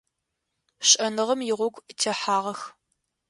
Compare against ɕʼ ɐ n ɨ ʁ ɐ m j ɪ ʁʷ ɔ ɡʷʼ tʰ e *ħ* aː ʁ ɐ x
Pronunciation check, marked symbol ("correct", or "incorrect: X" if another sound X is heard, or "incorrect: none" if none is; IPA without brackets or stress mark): correct